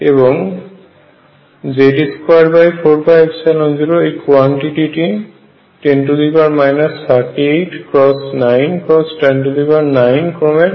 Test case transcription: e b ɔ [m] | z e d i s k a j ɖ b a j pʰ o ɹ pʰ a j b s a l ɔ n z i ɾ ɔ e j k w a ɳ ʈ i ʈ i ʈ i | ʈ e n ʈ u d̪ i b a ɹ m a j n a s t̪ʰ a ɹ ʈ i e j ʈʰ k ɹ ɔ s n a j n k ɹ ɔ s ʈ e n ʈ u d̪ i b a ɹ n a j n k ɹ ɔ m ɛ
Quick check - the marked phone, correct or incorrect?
incorrect